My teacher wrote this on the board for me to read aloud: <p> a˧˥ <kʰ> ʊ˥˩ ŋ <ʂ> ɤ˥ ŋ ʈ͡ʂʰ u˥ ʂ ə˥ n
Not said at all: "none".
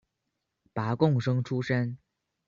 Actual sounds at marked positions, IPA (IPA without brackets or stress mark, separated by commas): p, k, ʂ